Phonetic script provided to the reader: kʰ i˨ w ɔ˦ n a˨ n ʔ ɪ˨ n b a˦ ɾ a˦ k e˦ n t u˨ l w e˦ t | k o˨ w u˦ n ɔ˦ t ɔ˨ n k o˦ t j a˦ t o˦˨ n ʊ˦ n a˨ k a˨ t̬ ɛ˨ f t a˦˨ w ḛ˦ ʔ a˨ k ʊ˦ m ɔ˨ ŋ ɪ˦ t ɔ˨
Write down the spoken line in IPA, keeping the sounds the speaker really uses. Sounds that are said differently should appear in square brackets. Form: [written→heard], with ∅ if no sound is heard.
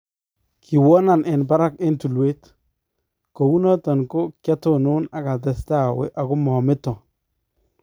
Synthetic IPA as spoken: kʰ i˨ w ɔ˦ n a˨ n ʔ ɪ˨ n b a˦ ɾ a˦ k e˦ n t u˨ l w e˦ t | k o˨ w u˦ n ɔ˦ t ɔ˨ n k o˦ [t→k] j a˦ t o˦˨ n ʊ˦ n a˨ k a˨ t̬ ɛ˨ [f→s] t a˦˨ w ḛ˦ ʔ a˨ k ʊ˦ m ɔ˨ [ŋ→m] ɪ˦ t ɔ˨